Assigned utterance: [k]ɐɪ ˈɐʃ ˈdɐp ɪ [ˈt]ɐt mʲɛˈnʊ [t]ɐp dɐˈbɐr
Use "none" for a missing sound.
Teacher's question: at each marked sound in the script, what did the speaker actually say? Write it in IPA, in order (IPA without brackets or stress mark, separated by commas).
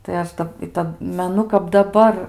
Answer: t, t, k